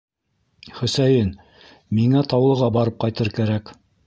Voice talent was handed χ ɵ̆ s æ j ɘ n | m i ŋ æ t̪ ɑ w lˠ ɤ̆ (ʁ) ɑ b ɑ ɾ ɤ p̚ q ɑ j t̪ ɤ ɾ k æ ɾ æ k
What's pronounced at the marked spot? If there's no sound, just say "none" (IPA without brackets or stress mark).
ʁ